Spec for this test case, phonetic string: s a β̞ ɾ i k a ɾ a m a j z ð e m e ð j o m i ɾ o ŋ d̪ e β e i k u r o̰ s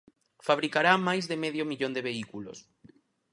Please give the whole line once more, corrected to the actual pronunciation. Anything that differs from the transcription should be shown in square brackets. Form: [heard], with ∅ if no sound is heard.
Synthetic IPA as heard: [f] a β̞ ɾ i k a ɾ a m a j z ð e m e ð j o m i [ʎ] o [n] d̪ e β e i k u [l] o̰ s